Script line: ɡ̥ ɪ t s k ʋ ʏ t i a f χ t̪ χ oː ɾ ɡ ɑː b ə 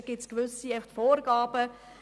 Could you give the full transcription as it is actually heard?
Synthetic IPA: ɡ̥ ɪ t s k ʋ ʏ s i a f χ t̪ f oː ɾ ɡ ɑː b ə

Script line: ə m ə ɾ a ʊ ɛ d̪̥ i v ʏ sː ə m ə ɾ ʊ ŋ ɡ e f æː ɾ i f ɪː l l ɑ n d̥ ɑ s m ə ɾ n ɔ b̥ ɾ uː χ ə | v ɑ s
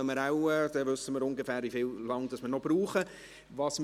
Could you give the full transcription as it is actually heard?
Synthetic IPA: ə m ə ɾ a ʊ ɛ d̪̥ ɛ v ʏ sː ə m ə ɾ ʊ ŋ ɡ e f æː ɾ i f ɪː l l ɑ ŋ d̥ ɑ s m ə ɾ n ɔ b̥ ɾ uː χ ə | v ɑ s

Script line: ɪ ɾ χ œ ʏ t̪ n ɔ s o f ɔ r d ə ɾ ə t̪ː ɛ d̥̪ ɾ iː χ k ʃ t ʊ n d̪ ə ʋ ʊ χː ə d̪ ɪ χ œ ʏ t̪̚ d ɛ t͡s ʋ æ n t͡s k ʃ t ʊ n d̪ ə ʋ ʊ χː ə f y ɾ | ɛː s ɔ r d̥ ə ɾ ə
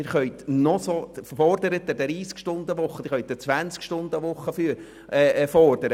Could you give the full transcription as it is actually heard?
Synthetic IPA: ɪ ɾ χ œ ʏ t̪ n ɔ s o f ɔ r d ə ɾ ə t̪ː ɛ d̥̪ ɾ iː s k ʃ t ʊ n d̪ ə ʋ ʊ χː ə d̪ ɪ χ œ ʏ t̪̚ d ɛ t͡s ʋ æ n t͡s k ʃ t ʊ n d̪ ə ʋ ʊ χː ə f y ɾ | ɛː f ɔ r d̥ ə ɾ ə

